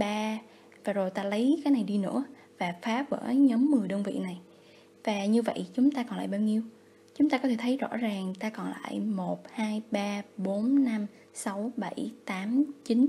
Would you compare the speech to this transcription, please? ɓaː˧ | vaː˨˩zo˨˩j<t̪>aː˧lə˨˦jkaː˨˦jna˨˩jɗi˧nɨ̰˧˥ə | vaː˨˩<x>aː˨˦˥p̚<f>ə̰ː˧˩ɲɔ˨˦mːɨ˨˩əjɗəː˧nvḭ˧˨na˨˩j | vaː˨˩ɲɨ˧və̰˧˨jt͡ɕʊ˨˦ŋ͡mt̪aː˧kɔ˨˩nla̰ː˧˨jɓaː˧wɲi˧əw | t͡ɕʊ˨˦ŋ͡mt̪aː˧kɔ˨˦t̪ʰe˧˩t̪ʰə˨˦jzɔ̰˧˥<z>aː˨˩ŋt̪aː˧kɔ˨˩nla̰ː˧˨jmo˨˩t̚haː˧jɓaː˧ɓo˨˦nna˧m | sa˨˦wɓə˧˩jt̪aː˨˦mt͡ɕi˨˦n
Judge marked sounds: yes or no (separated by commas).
yes, no, no, yes